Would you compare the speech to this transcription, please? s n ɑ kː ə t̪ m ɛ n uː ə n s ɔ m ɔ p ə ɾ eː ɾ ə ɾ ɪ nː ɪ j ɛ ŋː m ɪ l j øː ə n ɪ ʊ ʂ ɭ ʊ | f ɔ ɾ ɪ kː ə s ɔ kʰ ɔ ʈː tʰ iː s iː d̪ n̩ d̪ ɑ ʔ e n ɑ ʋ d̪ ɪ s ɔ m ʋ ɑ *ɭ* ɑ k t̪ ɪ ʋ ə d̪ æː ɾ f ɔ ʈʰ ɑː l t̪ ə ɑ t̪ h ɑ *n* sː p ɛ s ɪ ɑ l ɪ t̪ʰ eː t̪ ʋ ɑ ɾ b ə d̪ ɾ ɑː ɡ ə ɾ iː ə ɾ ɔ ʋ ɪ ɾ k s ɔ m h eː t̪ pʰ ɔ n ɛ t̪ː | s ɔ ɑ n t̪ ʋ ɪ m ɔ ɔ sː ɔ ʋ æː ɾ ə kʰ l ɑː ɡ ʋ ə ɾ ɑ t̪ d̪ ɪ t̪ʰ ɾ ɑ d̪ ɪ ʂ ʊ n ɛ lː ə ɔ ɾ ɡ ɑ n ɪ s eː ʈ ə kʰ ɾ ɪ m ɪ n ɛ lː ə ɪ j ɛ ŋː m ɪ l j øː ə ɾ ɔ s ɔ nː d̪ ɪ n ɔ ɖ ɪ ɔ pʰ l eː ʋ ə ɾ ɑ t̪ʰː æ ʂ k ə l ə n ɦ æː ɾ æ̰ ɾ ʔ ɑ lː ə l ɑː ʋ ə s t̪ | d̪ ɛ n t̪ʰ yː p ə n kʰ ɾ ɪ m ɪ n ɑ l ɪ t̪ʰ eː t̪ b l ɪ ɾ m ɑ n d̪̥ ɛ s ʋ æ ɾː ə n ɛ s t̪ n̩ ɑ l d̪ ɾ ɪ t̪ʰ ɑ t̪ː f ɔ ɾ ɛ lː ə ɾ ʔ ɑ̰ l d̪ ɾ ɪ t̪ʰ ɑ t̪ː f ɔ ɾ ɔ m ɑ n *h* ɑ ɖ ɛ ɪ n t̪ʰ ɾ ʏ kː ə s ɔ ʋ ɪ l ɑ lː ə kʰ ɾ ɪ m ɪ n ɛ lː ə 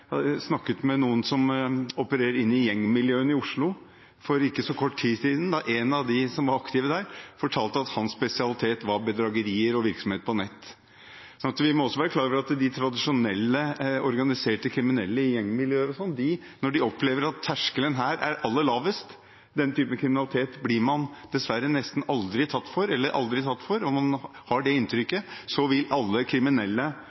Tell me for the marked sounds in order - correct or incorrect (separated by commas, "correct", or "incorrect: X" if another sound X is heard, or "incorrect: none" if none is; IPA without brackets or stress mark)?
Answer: incorrect: ɾ, correct, correct